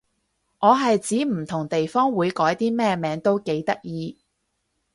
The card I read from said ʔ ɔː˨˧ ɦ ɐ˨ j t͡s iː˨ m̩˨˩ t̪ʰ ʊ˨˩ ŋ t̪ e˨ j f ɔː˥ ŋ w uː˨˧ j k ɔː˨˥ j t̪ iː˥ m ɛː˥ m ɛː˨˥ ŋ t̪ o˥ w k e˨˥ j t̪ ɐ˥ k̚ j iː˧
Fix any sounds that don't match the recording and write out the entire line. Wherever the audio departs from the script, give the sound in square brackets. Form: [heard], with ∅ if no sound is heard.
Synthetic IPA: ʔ ɔː˨˧ ɦ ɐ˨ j t͡s [iː˨˥] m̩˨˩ t̪ʰ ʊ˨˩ ŋ t̪ e˨ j f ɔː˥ ŋ w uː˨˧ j k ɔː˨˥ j t̪ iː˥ m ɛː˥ m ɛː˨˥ ŋ t̪ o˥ w k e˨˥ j t̪ ɐ˥ k̚ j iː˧